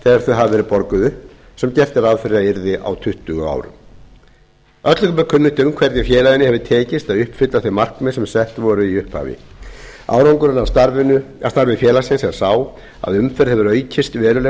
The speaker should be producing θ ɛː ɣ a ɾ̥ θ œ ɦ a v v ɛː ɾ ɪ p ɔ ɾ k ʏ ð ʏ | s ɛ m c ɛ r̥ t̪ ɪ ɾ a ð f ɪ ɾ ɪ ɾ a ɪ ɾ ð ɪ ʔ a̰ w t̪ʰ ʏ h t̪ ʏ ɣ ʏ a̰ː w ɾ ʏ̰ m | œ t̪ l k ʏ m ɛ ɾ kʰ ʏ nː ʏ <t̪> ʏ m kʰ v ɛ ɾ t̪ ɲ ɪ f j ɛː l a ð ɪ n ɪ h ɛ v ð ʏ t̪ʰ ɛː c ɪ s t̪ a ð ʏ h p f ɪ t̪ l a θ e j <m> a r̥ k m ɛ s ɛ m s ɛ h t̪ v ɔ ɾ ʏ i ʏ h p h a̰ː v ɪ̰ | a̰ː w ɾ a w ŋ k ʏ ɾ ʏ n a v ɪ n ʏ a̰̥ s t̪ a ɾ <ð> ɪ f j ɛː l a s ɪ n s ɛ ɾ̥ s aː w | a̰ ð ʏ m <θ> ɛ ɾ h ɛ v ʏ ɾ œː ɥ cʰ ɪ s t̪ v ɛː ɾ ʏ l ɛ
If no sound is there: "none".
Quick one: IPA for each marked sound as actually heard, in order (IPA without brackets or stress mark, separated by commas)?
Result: t̪, m, v, f